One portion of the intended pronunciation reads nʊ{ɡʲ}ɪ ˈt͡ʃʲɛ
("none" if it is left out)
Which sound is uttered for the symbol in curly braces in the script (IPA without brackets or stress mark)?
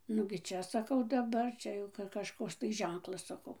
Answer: ɡʲ